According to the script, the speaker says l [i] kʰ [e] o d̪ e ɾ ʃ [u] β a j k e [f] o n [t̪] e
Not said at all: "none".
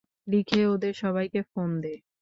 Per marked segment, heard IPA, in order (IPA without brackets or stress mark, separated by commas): i, e, ɔ, f, d̪